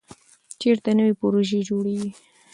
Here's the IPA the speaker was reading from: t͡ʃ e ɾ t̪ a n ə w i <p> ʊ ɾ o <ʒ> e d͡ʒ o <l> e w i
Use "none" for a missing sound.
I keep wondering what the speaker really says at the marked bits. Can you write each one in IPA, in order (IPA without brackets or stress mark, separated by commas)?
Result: p, ʒ, ɽ